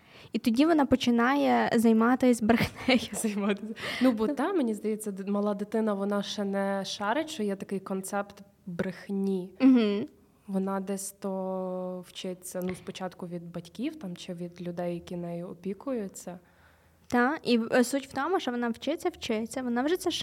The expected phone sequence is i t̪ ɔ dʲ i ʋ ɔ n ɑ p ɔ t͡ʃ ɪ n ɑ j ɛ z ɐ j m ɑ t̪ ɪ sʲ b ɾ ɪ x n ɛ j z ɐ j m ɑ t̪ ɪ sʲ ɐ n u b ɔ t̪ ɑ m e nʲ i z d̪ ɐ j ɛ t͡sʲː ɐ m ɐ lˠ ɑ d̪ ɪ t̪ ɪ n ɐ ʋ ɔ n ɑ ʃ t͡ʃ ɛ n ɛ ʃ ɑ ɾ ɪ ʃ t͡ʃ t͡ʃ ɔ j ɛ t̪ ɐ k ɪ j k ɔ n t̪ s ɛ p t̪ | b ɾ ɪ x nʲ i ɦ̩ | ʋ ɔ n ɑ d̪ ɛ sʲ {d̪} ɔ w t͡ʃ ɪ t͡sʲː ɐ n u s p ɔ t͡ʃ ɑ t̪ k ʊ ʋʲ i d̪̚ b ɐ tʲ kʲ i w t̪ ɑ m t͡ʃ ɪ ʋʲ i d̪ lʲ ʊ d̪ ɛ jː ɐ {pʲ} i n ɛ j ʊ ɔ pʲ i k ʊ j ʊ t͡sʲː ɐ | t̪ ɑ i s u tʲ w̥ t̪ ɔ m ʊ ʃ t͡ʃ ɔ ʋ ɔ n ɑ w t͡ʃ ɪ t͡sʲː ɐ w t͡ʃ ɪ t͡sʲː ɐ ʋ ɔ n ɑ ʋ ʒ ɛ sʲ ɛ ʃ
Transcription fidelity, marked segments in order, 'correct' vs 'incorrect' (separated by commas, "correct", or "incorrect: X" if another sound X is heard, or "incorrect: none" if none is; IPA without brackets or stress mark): incorrect: t̪, incorrect: kʲ